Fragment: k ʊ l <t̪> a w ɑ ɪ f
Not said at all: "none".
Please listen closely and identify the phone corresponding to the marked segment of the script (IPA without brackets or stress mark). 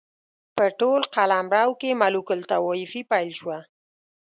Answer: t̪